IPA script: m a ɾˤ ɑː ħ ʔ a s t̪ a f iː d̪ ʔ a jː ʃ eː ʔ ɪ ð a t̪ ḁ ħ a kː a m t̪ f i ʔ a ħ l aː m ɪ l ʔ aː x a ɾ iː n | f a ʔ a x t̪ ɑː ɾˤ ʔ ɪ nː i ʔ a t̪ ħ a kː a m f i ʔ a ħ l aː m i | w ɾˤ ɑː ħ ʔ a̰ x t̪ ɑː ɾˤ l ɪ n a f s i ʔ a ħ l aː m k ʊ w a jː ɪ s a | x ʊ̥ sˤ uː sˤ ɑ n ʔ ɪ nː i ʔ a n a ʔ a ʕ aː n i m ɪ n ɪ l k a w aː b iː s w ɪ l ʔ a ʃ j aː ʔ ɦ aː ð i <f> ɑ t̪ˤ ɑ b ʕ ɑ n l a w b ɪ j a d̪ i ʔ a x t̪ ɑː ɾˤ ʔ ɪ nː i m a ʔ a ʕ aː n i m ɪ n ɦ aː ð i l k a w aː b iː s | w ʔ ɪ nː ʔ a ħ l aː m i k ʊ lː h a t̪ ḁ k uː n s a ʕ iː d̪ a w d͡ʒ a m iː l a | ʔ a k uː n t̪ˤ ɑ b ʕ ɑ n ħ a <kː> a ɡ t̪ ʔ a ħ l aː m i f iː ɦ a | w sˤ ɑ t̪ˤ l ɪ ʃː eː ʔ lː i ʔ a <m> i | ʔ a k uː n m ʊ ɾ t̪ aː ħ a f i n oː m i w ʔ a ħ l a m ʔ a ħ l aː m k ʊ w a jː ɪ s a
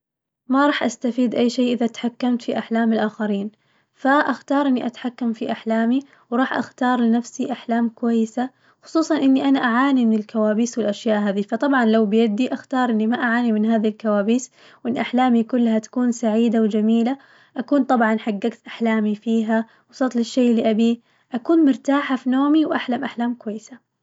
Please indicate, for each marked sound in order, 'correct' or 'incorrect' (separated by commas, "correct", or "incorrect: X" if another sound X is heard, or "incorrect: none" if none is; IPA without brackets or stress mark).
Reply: correct, incorrect: ɡː, incorrect: b